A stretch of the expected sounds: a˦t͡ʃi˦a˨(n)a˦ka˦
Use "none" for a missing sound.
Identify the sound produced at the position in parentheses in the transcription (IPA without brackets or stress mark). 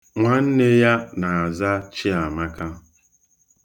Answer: m